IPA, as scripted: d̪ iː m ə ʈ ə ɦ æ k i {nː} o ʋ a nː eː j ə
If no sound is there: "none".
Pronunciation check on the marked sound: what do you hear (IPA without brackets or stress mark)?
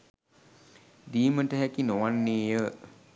n